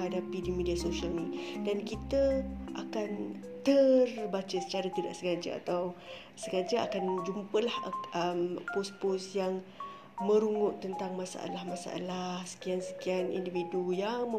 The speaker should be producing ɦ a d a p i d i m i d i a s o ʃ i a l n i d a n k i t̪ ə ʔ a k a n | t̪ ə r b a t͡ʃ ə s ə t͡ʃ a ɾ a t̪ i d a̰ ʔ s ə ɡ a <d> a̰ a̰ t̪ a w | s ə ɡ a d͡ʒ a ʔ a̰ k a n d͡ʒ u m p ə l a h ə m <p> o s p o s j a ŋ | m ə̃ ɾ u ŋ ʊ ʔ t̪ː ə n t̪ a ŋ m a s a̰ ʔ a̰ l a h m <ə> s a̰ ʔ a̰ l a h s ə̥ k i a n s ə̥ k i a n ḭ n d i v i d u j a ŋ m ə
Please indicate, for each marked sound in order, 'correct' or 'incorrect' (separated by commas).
incorrect, correct, incorrect